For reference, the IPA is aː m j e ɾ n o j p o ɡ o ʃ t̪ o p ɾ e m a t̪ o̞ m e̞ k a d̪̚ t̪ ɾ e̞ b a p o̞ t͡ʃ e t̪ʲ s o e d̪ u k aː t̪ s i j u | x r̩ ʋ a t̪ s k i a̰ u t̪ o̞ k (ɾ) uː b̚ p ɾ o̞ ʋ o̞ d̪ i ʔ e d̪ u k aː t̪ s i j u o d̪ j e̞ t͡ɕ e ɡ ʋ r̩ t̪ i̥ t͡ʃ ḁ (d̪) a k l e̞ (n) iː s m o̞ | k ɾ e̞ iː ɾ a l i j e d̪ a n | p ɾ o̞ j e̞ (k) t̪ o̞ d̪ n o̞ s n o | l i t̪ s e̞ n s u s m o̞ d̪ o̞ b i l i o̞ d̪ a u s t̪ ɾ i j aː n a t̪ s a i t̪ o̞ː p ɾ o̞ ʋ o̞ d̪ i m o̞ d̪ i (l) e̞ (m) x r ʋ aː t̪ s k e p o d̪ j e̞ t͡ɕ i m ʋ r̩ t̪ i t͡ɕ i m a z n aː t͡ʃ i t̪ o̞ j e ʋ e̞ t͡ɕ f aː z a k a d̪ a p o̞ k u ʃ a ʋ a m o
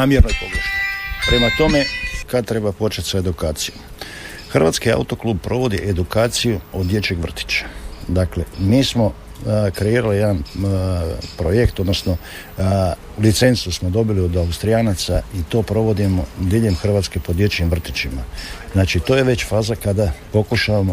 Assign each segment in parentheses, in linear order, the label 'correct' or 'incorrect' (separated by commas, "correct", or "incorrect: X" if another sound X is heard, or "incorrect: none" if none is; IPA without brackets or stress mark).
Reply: incorrect: l, correct, incorrect: m, correct, incorrect: ʎ, correct